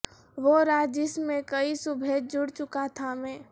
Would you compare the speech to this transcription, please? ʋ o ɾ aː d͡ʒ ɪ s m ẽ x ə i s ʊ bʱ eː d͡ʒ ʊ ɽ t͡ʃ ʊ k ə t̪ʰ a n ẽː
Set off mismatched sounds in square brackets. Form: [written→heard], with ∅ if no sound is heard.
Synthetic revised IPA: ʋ o ɾ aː d͡ʒ ɪ s m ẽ [x→k] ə i s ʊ bʱ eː d͡ʒ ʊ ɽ t͡ʃ ʊ k [ə→a] t̪ʰ a [n→m] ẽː